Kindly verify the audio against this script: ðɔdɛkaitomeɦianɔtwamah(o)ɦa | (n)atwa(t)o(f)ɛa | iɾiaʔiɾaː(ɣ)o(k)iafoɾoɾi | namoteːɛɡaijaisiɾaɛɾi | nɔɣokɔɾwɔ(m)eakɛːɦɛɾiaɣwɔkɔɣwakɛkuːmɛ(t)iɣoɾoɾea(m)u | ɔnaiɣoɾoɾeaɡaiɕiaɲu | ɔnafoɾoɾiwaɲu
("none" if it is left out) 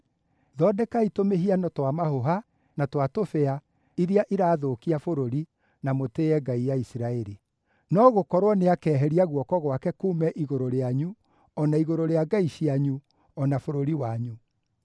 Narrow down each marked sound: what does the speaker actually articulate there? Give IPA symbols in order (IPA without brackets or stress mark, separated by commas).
o, n, t, f, ð, k, n, ʔ, ɲ